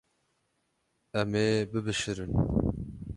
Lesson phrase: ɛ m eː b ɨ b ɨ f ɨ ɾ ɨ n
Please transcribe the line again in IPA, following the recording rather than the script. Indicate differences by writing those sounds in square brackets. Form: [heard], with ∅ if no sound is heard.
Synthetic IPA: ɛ m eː b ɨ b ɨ [ʃ] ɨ ɾ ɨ n